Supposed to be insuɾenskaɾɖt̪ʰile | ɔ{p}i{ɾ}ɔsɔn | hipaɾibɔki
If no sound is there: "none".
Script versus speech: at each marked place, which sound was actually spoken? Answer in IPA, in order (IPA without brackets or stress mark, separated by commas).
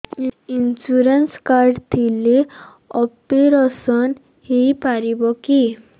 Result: p, ɾ